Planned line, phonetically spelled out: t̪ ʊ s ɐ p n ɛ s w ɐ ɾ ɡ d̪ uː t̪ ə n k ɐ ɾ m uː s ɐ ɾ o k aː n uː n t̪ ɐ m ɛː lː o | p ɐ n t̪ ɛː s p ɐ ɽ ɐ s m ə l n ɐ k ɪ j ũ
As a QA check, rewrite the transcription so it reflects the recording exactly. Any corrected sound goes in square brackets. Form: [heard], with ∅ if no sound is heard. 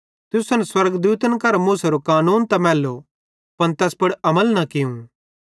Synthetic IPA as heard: t̪ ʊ s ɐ [∅] n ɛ s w ɐ ɾ ɡ d̪ uː t̪ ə n k ɐ ɾ m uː s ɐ ɾ o k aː n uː n t̪ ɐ m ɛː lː o | p ɐ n t̪ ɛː s p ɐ ɽ ɐ [∅] m ə l n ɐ k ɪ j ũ